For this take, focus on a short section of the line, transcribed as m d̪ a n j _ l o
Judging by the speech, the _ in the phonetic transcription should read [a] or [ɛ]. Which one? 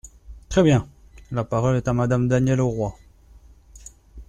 ɛ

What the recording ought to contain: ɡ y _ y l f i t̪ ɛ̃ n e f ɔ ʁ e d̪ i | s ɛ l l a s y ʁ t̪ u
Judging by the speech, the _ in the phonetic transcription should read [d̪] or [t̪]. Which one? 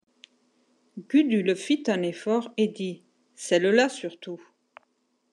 d̪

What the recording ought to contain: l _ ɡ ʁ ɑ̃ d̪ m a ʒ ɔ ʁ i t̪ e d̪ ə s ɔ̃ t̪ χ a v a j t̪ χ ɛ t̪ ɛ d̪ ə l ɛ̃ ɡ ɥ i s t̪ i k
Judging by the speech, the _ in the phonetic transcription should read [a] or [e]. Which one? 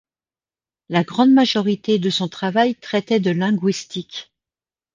a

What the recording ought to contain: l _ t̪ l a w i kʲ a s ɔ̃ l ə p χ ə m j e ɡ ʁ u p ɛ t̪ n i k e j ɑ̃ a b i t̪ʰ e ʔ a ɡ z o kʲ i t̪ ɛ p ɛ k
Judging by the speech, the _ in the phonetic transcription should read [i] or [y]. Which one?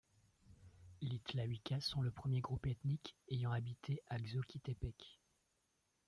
i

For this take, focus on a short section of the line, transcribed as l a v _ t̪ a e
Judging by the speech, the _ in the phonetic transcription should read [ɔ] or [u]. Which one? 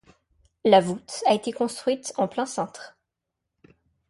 u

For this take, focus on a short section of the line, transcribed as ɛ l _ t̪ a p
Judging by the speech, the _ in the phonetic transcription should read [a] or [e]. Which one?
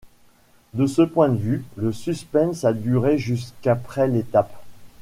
e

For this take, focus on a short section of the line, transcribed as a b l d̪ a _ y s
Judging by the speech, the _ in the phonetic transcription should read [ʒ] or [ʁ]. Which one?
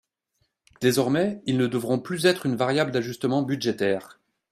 ʒ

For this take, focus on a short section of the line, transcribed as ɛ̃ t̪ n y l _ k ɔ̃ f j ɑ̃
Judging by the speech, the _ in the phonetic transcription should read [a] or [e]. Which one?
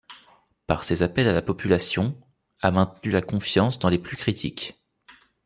a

